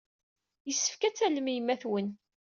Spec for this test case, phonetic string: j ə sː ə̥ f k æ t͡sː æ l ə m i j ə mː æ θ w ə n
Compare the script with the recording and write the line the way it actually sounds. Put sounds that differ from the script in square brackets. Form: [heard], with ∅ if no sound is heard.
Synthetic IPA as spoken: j ə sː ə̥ f k æ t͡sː æ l ə m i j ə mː æ θ w ə n